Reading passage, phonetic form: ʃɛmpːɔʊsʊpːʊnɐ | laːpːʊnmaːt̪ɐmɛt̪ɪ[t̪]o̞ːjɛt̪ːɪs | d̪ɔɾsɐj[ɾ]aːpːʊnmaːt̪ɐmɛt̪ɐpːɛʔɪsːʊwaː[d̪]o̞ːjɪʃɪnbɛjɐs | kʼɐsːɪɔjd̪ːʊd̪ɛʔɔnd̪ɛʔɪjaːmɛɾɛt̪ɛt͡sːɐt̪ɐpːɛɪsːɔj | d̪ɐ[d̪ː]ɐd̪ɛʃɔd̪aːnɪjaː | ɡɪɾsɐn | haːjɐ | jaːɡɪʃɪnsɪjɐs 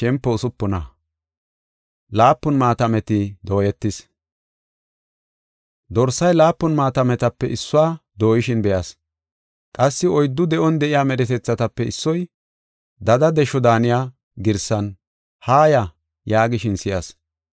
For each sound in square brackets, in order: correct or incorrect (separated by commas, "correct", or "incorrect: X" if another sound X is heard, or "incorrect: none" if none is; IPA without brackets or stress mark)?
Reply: incorrect: d̪, incorrect: l, correct, incorrect: d̪